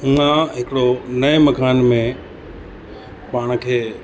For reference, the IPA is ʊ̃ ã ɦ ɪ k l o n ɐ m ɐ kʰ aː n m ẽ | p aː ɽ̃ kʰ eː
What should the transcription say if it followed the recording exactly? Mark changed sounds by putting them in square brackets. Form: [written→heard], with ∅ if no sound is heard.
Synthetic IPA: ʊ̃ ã ɦ ɪ k [l→ɽ] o n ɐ m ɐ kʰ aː n m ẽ | p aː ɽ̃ kʰ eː

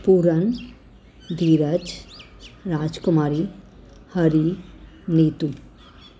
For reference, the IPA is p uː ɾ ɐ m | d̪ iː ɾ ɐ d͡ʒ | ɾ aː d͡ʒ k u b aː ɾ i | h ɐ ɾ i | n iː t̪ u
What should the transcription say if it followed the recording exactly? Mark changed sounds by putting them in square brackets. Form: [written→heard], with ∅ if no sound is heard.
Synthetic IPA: p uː ɾ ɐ [m→n] | d̪ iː ɾ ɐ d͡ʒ | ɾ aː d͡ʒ k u [b→m] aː ɾ i | h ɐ ɾ i | n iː t̪ u

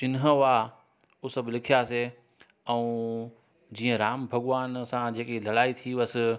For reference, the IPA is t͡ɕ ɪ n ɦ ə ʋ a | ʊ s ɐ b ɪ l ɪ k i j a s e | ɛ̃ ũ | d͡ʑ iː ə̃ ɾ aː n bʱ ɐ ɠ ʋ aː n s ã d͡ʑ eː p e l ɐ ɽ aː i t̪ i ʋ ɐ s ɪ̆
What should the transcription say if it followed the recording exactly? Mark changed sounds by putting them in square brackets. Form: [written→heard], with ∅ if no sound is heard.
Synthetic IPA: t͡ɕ ɪ n ɦ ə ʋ a | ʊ s ɐ b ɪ l ɪ [k→kʰ] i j a s e | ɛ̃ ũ | d͡ʑ iː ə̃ ɾ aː [n→m] bʱ ɐ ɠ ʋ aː n s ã d͡ʑ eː [p→k] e l ɐ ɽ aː i [t̪→t̪ʰ] i ʋ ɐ s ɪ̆

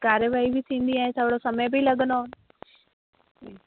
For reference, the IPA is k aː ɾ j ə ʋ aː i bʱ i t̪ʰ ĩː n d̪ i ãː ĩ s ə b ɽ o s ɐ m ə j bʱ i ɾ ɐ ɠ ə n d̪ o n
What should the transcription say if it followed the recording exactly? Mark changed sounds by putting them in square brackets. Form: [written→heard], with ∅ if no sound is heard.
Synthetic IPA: k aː ɾ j ə ʋ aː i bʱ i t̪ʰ ĩː n d̪ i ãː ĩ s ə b ɽ o s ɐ m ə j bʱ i [ɾ→l] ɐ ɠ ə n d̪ o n

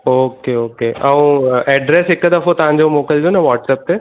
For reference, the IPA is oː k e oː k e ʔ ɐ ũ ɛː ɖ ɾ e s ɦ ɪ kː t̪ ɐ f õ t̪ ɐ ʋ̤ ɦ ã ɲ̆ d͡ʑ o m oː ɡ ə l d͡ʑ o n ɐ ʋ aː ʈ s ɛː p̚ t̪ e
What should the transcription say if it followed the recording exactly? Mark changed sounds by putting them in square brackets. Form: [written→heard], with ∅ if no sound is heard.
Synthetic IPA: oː k e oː k e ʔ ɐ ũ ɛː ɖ ɾ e s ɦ ɪ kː [t̪→d̪] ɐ f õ t̪ ɐ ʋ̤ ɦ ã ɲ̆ d͡ʑ o m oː [ɡ→k] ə l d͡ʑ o n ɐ ʋ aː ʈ s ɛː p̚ t̪ e

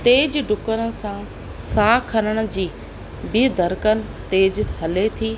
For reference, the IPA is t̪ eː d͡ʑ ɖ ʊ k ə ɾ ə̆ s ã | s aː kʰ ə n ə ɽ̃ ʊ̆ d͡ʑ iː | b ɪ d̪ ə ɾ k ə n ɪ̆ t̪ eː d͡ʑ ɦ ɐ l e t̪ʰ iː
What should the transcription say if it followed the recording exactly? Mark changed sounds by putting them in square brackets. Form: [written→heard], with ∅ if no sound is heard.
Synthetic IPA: t̪ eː d͡ʑ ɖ ʊ k ə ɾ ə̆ s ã | s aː kʰ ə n ə ɽ̃ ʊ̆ d͡ʑ iː | b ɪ d̪ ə ɾ k ə n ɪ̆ t̪ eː d͡ʑ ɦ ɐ l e t̪ʰ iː

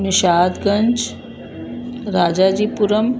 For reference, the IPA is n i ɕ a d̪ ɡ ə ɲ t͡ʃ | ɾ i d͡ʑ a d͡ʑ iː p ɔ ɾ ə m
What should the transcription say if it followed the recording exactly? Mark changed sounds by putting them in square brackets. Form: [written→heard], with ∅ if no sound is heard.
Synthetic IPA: n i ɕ a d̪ ɡ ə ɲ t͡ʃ | ɾ [i→a] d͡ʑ a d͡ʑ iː p [ɔ→u] ɾ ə m

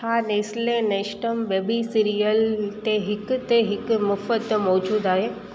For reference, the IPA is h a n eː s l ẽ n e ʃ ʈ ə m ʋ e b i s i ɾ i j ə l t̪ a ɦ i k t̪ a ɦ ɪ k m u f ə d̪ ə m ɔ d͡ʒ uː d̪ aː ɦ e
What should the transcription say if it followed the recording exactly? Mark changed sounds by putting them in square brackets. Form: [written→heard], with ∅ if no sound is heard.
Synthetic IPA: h a n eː s l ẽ n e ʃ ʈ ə m ʋ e b i s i ɾ i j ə l t̪ [a→e] ɦ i k t̪ [a→e] ɦ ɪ k m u f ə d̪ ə m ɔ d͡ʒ uː d̪ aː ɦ e

